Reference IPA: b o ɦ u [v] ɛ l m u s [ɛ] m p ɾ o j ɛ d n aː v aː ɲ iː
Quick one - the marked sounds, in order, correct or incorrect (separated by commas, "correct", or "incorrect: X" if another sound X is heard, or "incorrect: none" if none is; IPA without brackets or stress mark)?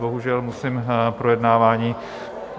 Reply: incorrect: ʒ, incorrect: i